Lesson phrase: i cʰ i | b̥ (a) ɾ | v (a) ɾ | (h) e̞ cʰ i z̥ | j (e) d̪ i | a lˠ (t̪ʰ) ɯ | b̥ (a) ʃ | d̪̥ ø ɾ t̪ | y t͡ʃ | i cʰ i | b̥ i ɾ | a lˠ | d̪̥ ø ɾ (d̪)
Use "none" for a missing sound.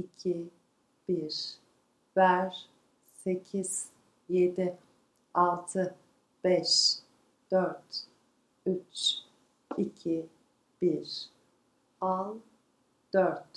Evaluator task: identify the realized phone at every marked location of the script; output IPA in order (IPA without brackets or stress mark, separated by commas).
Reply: i, æ, s, e, t̪ʰ, ɛ, t̪